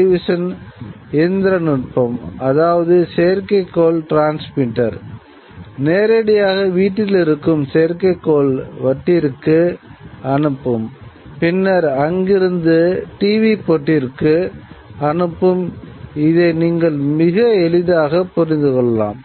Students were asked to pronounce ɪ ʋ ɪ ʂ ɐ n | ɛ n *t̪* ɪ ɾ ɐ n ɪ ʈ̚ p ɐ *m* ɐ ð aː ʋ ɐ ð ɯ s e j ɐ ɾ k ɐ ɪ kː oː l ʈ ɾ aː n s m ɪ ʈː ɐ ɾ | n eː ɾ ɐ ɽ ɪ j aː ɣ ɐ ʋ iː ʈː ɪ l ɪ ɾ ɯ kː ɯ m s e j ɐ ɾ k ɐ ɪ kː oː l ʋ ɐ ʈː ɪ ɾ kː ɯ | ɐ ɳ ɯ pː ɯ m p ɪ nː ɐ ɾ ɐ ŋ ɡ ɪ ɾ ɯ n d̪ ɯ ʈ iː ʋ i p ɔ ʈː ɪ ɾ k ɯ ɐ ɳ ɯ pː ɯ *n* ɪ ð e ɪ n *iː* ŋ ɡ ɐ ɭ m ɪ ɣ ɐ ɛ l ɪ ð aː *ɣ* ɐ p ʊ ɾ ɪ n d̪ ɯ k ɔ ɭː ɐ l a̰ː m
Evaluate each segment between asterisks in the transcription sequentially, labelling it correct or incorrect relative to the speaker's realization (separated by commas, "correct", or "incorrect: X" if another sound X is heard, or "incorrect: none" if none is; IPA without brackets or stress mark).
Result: incorrect: d̪, correct, incorrect: m, correct, correct